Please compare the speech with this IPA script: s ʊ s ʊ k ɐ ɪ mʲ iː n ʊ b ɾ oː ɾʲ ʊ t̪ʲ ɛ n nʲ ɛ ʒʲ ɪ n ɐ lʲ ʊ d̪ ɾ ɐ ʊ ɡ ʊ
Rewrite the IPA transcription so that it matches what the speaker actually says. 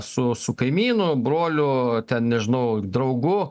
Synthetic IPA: s ʊ s ʊ k ɐ ɪ mʲ iː n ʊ b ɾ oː lʲ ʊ t̪ʲ ɛ n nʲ ɛ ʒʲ ɪ n ɐ ʊ d̪ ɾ ɐ ʊ ɡ ʊ